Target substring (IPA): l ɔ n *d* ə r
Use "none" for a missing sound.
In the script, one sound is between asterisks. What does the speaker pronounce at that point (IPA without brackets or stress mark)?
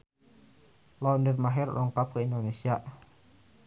d